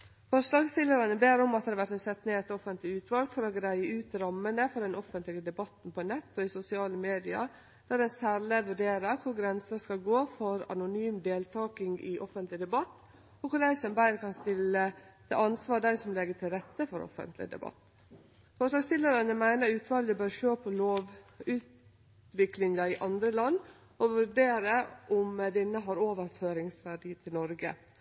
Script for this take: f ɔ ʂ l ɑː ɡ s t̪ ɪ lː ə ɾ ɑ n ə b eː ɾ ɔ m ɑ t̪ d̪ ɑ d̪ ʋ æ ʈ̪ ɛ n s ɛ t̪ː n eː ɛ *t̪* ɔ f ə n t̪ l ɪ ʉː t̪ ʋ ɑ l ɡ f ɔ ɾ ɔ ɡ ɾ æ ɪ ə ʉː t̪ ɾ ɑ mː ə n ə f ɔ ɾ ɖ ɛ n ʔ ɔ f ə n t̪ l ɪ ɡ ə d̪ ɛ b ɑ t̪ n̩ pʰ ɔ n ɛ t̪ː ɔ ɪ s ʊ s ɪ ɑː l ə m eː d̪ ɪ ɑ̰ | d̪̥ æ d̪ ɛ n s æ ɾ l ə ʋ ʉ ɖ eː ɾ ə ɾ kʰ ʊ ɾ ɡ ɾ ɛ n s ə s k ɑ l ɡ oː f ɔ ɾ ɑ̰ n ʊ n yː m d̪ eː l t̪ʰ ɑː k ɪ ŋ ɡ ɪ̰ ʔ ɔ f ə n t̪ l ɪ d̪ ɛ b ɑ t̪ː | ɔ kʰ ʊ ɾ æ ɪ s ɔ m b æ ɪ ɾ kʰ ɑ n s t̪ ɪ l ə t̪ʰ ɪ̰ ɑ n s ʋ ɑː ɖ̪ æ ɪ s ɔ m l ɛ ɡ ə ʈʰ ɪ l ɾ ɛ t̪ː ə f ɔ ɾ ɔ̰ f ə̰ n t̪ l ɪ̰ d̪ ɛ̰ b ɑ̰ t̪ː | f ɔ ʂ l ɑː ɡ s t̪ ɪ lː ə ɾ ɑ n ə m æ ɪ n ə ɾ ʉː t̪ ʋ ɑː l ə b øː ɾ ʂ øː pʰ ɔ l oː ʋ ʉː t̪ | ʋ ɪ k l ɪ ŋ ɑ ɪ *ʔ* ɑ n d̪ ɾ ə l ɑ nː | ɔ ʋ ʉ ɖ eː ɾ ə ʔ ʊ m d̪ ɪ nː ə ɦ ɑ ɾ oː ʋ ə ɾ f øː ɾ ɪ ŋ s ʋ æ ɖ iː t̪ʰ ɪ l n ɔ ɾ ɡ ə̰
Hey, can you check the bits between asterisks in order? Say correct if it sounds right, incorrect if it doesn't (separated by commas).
correct, correct